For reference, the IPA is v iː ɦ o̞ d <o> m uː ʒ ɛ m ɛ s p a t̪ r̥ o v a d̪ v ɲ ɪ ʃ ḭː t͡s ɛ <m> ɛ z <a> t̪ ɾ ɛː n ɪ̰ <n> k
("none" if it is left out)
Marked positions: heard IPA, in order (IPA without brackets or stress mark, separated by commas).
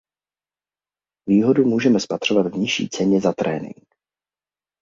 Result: u, ɲ, a, ŋ